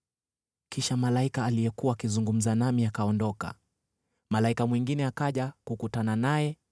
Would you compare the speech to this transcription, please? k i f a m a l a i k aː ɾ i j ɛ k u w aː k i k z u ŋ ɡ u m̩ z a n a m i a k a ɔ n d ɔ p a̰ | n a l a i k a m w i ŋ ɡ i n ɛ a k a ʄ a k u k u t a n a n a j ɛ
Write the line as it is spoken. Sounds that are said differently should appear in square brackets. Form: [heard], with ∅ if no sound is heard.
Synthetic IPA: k i [ʃ] a m a l a i k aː [l] i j ɛ k u w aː k i [∅] z u ŋ ɡ u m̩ z a n a m i a k a ɔ n d ɔ [k] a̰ | [m] a l a i k a m w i ŋ ɡ i n ɛ a k a ʄ a k u k u t a n a n a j ɛ